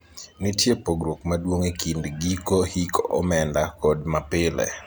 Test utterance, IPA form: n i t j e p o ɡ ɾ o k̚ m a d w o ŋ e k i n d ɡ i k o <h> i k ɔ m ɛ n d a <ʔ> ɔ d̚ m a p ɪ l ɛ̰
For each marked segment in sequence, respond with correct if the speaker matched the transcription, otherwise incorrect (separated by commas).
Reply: correct, incorrect